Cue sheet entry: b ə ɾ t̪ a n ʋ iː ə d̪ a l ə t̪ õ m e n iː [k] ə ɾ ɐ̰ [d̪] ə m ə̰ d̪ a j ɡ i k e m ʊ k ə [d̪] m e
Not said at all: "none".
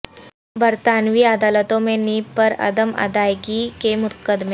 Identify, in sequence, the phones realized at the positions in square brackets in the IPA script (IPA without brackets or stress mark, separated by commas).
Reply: p, d̪, d̪